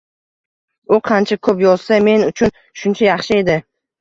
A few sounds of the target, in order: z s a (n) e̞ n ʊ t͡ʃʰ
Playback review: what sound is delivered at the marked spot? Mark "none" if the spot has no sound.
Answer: m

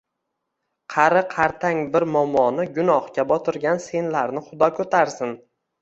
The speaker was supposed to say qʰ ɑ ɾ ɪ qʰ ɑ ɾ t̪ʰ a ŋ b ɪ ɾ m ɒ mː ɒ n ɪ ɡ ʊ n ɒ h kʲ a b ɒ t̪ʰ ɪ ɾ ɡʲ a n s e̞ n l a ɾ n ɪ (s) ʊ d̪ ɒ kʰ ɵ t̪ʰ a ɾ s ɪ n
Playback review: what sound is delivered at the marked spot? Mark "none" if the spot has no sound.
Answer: χ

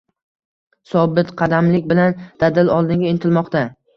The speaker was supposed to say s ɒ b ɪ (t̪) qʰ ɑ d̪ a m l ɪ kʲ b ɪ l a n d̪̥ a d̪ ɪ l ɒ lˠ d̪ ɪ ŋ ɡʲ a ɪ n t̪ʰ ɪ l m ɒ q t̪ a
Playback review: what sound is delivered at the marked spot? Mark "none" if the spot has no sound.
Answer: t̪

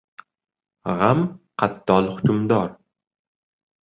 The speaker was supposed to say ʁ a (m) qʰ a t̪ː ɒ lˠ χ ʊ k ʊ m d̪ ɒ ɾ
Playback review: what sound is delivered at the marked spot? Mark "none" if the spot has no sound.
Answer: m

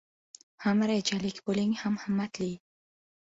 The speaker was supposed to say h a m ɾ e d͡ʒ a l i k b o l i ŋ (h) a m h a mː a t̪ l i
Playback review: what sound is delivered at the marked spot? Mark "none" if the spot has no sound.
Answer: h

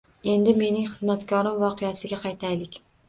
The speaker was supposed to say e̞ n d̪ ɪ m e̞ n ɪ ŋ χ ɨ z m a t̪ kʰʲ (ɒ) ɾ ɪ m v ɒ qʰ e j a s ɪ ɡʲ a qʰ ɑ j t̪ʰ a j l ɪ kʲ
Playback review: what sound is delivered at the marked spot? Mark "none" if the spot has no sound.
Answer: ɒ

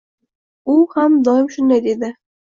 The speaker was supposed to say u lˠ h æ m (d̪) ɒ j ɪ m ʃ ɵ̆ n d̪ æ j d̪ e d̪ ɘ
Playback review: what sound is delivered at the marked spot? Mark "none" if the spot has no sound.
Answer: d̪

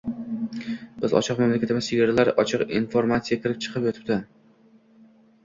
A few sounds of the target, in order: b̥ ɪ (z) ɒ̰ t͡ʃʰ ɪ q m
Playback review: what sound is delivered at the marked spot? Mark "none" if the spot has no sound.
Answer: z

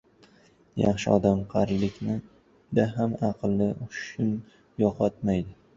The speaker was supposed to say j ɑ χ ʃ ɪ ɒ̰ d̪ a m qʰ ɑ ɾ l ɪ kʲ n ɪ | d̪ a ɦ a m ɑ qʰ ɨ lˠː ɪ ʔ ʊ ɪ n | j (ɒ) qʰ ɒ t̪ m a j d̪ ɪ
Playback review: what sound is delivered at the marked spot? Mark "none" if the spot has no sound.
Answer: ɒ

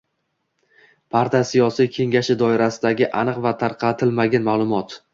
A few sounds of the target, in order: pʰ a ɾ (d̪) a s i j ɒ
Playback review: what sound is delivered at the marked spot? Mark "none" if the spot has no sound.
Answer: t̪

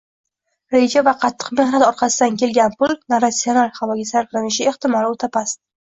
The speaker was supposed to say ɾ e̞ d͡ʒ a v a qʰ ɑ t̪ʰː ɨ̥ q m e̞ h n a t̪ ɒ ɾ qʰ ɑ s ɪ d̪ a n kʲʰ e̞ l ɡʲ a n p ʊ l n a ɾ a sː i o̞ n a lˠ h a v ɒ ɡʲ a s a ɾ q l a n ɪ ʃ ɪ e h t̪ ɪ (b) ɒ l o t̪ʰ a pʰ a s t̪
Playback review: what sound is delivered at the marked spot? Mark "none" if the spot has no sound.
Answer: m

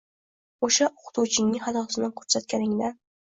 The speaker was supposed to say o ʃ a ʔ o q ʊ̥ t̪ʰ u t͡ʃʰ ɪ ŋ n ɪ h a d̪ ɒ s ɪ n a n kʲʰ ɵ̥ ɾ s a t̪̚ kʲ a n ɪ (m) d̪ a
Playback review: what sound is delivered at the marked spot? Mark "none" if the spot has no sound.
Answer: ŋ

